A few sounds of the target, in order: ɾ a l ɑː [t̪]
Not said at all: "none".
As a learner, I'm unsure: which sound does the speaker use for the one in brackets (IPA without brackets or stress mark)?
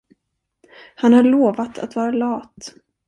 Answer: t̪